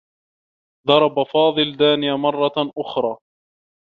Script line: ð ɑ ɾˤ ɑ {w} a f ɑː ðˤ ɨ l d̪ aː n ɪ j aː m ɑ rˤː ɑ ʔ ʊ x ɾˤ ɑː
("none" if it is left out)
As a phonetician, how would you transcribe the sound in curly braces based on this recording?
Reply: b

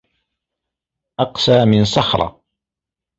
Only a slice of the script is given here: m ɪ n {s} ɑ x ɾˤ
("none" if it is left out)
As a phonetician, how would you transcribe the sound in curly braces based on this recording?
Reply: s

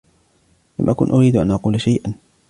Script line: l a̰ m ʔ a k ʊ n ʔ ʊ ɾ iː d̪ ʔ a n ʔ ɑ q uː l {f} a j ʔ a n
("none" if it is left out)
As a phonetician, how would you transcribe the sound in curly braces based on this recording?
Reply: ʃ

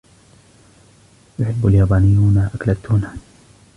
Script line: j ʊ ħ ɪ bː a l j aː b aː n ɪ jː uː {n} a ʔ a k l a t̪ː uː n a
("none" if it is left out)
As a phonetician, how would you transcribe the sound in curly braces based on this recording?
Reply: n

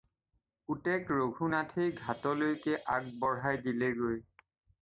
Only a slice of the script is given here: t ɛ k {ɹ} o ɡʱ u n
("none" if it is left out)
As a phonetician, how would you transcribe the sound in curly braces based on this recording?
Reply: ɹ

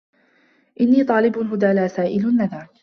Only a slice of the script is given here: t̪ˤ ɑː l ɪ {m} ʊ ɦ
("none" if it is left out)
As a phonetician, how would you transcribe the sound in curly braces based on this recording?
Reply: b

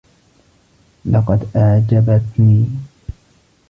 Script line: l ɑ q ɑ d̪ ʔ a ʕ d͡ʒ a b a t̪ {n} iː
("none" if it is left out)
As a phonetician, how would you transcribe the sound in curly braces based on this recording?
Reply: n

